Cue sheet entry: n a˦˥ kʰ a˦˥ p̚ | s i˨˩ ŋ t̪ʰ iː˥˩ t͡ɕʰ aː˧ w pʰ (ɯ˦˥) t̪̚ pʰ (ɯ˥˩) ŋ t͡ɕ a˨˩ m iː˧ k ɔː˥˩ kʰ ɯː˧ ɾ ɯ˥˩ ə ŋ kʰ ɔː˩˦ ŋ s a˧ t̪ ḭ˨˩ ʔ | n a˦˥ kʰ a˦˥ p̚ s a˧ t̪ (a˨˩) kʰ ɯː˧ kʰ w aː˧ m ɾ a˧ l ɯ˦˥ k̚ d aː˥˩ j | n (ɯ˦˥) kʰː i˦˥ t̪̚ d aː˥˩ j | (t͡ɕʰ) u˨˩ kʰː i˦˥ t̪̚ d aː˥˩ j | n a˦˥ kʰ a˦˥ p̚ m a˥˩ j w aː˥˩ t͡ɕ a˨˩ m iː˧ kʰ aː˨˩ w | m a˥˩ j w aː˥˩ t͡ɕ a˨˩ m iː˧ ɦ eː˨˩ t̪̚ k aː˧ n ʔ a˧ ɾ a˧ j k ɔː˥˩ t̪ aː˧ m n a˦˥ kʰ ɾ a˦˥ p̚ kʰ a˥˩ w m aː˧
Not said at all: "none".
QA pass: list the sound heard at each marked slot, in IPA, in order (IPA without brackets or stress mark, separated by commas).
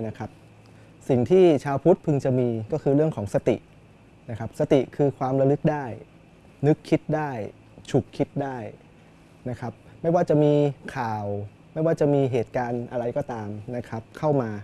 u˦˥, ɯ˧, i˨˩, ɯ˦˥, t͡ɕʰ